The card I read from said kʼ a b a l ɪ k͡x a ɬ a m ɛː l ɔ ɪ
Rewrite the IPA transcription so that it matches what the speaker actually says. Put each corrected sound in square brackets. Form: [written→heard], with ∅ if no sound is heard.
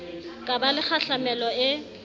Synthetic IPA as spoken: kʼ a b a l ɪ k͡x a ɬ a m [ɛː→ɛ] l ɔ ɪ